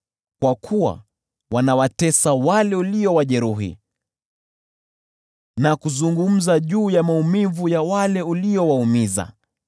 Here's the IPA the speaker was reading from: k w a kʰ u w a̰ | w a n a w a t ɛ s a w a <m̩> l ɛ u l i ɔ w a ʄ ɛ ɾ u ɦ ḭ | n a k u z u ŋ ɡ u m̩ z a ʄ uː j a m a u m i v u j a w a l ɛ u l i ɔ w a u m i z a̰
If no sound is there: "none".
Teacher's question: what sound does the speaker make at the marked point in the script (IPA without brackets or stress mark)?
none